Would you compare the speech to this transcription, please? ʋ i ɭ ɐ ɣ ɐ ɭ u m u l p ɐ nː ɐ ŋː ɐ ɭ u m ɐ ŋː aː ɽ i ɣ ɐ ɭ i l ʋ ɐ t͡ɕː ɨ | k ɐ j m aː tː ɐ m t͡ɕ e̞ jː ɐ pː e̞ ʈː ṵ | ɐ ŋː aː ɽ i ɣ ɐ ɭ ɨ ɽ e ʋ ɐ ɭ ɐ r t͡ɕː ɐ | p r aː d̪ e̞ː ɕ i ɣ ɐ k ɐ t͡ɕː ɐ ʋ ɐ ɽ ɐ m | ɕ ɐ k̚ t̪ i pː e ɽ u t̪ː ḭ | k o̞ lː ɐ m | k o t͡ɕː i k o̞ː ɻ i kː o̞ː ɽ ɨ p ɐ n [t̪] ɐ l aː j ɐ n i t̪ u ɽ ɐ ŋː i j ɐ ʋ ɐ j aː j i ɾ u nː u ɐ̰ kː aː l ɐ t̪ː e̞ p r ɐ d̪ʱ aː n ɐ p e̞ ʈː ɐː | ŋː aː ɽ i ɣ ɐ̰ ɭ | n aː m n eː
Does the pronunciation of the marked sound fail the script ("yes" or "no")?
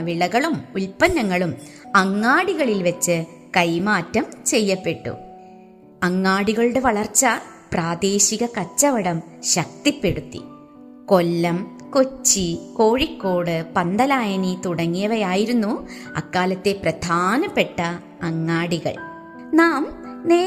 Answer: yes